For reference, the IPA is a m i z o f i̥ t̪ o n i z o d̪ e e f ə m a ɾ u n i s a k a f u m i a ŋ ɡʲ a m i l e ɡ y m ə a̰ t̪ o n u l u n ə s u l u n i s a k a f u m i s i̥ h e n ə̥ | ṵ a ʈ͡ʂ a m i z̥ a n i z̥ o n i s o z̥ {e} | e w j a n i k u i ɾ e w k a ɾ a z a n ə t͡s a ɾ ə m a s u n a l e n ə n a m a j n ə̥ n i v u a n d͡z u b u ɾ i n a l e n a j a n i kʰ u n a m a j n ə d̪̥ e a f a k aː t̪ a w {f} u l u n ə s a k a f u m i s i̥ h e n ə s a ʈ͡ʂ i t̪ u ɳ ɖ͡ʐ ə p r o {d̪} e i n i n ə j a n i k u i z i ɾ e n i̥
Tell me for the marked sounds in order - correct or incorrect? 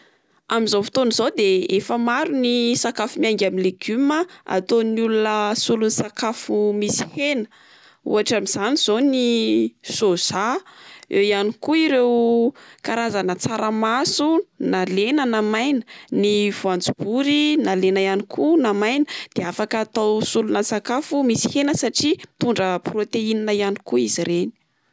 incorrect, incorrect, incorrect

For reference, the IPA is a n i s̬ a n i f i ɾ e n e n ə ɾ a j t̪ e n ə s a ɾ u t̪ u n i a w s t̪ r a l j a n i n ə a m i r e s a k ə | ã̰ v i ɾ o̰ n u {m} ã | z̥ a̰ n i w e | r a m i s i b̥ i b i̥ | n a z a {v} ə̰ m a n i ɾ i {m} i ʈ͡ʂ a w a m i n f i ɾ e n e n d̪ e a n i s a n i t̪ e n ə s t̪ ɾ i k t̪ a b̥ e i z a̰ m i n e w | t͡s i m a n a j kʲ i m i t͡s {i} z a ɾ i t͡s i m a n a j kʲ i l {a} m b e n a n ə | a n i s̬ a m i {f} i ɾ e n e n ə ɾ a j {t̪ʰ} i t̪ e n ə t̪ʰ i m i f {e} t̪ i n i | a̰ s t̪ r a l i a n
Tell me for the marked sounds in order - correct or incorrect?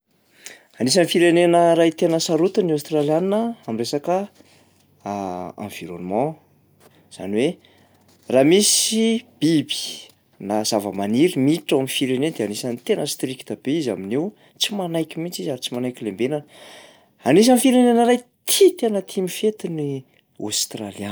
correct, correct, correct, correct, incorrect, correct, correct, correct

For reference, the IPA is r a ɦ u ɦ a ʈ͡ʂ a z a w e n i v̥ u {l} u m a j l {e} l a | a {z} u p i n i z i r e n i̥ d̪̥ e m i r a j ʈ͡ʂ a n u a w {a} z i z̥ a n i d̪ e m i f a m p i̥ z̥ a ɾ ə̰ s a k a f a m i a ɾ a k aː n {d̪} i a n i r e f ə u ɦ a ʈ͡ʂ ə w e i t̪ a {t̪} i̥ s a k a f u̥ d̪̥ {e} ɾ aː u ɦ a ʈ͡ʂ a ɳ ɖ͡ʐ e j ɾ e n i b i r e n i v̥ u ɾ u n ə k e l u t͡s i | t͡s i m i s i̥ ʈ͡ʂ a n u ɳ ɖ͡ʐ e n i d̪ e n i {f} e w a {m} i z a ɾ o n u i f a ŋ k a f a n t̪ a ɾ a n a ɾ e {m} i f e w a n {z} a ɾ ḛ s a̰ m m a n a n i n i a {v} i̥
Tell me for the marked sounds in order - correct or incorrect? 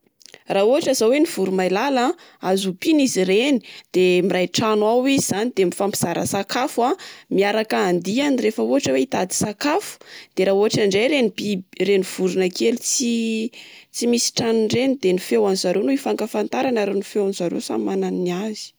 incorrect, incorrect, correct, incorrect, correct, incorrect, correct, correct, incorrect, incorrect, correct, incorrect

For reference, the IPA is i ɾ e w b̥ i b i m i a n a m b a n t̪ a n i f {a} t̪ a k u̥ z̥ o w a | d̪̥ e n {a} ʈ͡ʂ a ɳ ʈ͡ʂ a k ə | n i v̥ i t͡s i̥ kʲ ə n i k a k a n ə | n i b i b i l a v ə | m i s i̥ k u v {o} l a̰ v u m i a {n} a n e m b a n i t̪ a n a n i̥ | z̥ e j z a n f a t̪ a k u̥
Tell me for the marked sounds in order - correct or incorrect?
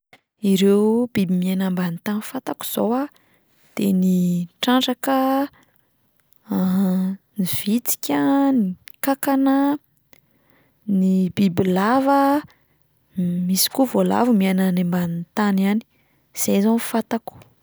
correct, incorrect, correct, correct

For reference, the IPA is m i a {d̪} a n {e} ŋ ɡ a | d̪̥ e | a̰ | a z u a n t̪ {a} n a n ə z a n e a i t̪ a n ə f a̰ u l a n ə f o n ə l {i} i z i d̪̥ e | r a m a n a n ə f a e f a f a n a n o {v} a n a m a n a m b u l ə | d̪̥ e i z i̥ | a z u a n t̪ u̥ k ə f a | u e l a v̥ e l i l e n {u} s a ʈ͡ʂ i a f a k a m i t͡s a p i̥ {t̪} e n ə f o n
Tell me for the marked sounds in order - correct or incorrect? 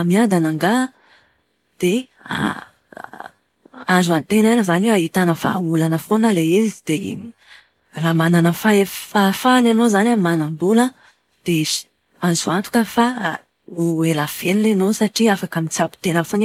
correct, incorrect, incorrect, incorrect, incorrect, incorrect, correct

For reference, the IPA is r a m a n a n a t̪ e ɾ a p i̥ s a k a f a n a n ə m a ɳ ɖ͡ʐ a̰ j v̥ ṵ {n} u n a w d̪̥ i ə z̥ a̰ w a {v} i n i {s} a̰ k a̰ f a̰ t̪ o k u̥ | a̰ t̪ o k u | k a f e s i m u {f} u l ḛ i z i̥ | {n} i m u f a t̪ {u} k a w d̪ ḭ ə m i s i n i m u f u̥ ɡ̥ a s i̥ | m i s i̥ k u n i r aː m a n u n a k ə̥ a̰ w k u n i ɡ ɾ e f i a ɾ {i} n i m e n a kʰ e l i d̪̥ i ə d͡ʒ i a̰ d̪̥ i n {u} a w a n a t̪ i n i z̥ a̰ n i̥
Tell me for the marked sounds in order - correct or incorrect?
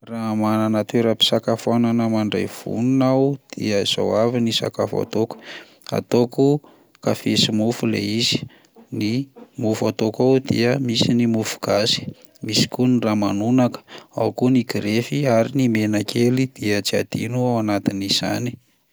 correct, correct, correct, correct, correct, incorrect, correct, correct

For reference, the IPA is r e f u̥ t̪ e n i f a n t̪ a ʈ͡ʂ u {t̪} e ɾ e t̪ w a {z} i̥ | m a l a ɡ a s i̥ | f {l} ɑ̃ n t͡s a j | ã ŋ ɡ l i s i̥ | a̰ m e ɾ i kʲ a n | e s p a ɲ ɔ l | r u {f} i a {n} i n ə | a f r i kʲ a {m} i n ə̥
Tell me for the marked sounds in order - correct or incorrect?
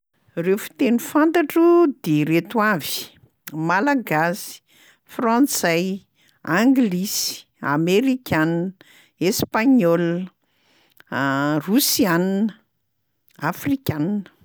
incorrect, incorrect, incorrect, incorrect, correct, incorrect

